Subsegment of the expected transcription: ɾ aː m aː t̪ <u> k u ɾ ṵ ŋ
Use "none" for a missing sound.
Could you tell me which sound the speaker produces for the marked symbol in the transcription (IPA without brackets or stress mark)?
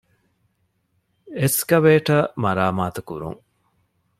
u